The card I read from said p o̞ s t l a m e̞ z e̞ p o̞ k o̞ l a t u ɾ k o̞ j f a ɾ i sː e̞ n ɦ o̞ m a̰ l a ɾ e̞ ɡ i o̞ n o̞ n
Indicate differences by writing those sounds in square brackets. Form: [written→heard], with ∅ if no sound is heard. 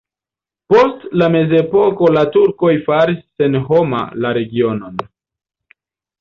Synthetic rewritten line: p o̞ s t l a m e̞ z e̞ p o̞ k o̞ l a t u ɾ k o̞ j f a ɾ i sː e̞ n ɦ o̞ m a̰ l a ɾ e̞ ɡ i o̞ n o̞ n